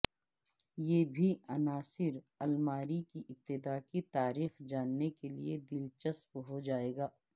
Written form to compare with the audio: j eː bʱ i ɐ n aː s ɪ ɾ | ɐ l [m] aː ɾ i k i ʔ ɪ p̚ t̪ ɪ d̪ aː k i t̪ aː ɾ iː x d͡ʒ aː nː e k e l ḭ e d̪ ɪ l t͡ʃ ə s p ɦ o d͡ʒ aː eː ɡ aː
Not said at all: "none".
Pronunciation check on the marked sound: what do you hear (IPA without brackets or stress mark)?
m